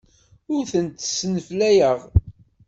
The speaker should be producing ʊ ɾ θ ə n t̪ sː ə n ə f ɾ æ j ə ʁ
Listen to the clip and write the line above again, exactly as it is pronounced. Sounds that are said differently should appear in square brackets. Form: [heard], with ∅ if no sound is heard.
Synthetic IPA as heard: ʊ ɾ θ ə n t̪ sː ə n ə f [l] æ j ə ʁ